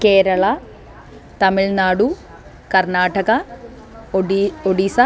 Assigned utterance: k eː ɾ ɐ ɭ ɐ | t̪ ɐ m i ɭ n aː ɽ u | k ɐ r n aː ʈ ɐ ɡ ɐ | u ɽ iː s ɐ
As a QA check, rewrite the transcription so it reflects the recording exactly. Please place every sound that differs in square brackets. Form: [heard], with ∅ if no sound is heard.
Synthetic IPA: k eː ɾ ɐ ɭ ɐ | t̪ ɐ m i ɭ n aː ɽ u | k ɐ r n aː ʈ ɐ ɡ ɐ | [o] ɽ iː s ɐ